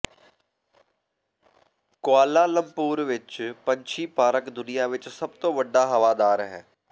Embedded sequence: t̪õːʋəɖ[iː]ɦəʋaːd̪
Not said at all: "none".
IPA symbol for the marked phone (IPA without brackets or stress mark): aː